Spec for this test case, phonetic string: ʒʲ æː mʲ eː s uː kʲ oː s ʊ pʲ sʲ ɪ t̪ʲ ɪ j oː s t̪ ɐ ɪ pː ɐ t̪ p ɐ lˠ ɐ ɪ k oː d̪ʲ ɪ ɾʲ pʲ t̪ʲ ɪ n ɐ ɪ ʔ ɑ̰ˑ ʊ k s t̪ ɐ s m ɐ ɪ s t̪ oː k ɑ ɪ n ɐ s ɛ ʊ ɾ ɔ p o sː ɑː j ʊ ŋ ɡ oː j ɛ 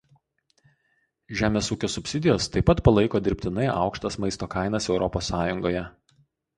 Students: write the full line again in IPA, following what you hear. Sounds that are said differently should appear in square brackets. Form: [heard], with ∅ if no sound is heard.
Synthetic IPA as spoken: ʒʲ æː mʲ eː s uː kʲ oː s ʊ pʲ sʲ ɪ [d̪ʲ] ɪ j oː s t̪ ɐ ɪ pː ɐ t̪ p ɐ lˠ ɐ ɪ k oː d̪ʲ ɪ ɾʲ pʲ t̪ʲ ɪ n ɐ ɪ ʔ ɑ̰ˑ ʊ k [ʃ] t̪ ɐ s m ɐ ɪ s t̪ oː k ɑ ɪ n ɐ s ɛ ʊ ɾ ɔ p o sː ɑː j ʊ ŋ ɡ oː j ɛ

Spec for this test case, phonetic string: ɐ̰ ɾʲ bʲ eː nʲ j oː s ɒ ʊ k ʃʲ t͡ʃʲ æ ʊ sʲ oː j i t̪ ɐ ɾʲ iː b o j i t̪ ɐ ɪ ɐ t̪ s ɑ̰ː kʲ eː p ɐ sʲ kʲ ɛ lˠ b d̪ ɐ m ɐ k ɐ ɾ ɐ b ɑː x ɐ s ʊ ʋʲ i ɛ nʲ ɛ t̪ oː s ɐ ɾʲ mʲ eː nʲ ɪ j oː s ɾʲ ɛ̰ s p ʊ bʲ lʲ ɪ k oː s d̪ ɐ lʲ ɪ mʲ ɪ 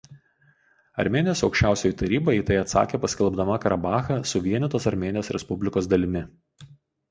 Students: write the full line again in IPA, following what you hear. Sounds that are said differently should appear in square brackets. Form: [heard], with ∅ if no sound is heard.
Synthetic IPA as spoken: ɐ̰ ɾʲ [mʲ] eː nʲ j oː s ɒ ʊ k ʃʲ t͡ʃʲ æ ʊ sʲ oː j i t̪ ɐ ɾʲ iː b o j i t̪ ɐ ɪ ɐ t̪ s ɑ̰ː kʲ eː p ɐ sʲ kʲ ɛ lˠ b d̪ ɐ m ɐ k ɐ ɾ ɐ b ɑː x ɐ s ʊ ʋʲ i ɛ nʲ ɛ t̪ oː s ɐ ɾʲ mʲ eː nʲ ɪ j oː s ɾʲ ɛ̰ s p ʊ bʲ lʲ ɪ k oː s d̪ ɐ lʲ ɪ mʲ ɪ

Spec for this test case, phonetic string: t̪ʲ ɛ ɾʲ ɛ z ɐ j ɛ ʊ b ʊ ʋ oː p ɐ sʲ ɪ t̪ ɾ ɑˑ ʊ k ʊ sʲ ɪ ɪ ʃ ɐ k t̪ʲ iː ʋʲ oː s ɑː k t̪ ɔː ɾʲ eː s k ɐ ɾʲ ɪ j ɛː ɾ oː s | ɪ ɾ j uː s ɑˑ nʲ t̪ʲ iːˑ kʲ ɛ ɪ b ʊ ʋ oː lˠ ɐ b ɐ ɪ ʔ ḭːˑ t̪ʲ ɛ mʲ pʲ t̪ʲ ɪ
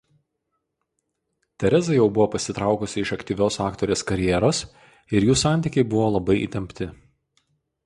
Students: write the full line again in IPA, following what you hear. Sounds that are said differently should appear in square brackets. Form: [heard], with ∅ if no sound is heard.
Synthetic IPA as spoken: t̪ʲ ɛ ɾʲ ɛ z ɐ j ɛ ʊ b ʊ ʋ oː p ɐ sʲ ɪ t̪ ɾ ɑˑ ʊ k ʊ sʲ ɪ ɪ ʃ ɐ k t̪ʲ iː ʋʲ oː s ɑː k t̪ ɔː ɾʲ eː s k ɐ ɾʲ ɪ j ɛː ɾ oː s | ɪ ɾ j uː s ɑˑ nʲ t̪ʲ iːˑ kʲ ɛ ɪ b ʊ ʋ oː lˠ ɐ b ɐ ɪ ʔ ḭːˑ t̪ʲ ɛ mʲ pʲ t̪ʲ ɪ

